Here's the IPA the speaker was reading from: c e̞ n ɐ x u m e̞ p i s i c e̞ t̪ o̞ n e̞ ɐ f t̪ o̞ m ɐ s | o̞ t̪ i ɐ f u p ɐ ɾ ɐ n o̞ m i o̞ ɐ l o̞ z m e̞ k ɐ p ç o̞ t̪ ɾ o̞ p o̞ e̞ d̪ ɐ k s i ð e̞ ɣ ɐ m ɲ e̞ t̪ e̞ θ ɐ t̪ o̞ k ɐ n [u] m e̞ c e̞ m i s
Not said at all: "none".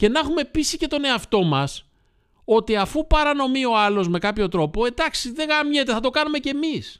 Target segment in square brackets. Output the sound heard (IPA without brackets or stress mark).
u